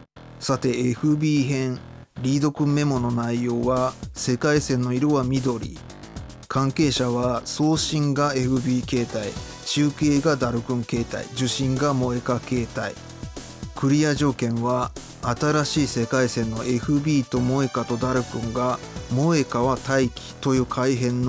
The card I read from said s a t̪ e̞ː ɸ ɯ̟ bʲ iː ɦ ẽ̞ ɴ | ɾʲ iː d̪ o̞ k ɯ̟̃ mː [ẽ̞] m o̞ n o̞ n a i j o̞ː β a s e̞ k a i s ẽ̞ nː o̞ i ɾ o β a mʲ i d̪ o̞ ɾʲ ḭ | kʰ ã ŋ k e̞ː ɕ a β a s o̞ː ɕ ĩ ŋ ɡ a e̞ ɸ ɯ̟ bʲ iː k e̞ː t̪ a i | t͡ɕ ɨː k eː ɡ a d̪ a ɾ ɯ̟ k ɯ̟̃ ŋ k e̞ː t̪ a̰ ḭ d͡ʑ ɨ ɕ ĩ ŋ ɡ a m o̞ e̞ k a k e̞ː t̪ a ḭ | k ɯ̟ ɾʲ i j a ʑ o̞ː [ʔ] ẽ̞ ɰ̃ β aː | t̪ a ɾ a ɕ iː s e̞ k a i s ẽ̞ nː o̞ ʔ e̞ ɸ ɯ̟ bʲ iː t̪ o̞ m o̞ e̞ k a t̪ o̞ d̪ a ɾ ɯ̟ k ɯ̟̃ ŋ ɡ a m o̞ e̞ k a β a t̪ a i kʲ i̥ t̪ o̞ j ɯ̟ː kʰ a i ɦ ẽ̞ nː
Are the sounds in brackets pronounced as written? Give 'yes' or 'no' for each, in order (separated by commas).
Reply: no, no